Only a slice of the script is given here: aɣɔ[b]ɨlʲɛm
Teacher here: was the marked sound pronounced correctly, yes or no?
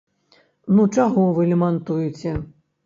no